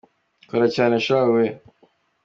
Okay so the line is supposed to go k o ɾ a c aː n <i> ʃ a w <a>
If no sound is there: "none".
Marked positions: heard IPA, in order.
e, e

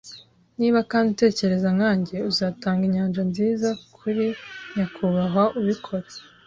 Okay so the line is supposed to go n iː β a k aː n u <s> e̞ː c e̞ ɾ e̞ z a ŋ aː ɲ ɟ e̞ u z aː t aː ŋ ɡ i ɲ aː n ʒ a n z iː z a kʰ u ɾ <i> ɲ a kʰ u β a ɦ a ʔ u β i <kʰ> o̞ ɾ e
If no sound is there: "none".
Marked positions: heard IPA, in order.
t, i, kʰ

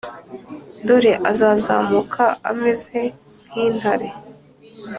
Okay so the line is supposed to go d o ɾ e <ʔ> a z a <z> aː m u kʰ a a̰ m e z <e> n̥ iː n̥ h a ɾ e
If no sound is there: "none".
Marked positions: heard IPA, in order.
ʔ, z, e

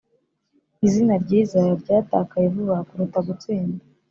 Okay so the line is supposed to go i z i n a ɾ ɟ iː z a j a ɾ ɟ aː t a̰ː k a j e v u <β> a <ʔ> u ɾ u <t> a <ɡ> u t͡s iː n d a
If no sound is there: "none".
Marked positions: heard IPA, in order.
β, k, t, ɡ

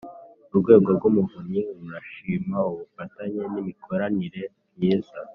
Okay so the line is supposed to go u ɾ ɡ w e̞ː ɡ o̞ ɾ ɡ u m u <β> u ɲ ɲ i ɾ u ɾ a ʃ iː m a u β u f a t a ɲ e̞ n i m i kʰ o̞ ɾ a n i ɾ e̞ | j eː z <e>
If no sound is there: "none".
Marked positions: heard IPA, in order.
v, a

